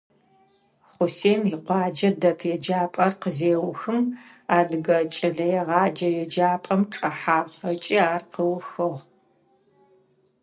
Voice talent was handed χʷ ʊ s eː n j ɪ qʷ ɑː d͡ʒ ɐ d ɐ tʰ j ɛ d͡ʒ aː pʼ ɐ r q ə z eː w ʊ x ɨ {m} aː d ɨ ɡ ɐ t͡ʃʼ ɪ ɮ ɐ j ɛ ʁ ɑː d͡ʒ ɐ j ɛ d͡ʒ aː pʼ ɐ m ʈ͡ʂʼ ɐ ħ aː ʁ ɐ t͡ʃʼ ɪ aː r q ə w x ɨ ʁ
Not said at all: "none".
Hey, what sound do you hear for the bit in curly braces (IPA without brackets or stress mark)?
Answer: m